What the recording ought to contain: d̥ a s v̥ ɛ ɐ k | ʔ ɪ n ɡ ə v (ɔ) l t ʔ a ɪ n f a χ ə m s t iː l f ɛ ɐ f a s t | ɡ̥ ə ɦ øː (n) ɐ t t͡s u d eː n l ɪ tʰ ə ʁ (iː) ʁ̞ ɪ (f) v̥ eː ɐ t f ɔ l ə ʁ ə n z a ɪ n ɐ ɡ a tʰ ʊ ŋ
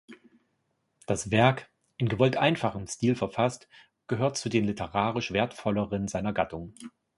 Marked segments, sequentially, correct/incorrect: correct, incorrect: none, incorrect: aː, incorrect: ʃ

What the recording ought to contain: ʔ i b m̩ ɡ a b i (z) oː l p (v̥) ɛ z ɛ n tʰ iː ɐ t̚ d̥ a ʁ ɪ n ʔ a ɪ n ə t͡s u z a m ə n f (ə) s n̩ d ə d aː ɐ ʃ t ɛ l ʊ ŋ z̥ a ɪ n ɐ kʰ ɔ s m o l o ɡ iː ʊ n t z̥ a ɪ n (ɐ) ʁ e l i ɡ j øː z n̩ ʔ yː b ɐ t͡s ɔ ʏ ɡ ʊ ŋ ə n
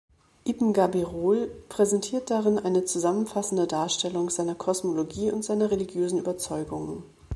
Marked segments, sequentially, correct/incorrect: incorrect: ʁ, incorrect: ʁ̥, incorrect: a, correct

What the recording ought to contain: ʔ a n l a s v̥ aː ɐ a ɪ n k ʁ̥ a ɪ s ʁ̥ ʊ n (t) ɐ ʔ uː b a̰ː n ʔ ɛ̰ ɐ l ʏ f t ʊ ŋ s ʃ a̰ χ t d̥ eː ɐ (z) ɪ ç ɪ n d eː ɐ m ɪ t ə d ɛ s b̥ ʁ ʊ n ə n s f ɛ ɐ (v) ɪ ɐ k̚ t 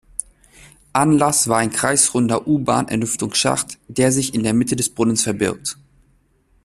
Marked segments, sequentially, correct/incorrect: incorrect: d, correct, incorrect: b

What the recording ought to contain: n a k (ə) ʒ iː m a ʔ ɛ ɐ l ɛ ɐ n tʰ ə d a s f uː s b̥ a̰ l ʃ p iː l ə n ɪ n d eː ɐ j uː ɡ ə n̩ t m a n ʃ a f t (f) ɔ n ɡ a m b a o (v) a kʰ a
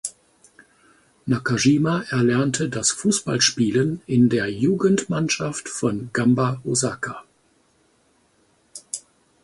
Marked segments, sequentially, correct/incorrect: incorrect: a, correct, incorrect: z

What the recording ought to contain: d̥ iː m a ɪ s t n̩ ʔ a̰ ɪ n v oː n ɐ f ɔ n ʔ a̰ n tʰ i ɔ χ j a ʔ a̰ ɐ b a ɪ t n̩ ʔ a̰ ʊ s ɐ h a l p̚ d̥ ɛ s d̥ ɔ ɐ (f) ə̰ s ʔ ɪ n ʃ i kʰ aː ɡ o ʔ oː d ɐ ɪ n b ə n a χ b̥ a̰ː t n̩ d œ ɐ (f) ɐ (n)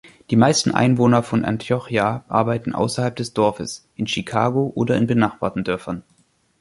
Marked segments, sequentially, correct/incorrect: correct, correct, correct

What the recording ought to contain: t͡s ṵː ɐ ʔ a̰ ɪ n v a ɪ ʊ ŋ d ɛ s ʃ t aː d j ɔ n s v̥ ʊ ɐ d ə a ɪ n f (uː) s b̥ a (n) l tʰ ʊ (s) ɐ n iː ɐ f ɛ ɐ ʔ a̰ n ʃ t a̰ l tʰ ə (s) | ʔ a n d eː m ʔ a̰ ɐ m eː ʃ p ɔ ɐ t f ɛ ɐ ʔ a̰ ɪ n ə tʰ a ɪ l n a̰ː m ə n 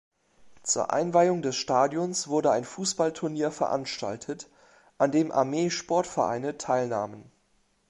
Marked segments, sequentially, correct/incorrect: correct, incorrect: none, incorrect: none, incorrect: t

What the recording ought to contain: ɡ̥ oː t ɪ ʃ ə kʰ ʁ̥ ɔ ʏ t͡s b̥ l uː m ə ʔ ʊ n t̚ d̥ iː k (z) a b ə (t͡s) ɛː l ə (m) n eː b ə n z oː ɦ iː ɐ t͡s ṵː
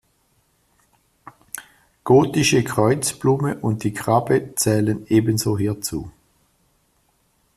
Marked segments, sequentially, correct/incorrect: incorrect: ʁ, correct, incorrect: none

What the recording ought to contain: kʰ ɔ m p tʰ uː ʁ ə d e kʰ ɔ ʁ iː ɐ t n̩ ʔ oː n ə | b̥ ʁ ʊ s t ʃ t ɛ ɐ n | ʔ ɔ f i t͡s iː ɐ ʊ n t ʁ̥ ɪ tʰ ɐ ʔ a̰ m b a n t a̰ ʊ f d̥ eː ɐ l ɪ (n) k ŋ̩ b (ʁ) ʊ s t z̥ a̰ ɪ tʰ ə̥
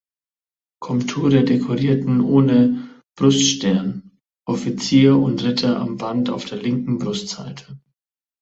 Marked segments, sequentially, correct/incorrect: incorrect: ŋ, correct

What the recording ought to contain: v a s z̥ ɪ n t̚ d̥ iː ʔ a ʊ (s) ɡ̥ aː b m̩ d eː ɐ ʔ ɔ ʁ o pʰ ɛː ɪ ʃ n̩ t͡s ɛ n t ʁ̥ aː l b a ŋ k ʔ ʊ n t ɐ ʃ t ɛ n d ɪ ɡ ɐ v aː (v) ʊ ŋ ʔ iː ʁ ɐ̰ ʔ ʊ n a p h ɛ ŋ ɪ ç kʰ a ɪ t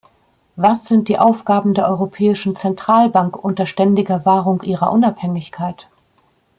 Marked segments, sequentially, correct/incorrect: incorrect: f, incorrect: ʁ

